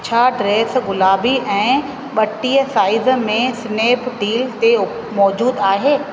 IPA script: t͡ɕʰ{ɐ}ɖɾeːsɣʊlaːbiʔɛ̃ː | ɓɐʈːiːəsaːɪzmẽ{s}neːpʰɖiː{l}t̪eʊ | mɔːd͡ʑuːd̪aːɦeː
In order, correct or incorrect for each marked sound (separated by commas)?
incorrect, correct, correct